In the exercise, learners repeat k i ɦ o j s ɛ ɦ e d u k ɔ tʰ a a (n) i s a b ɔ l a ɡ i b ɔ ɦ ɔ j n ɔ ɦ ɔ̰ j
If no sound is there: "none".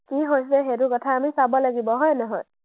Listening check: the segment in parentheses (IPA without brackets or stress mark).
m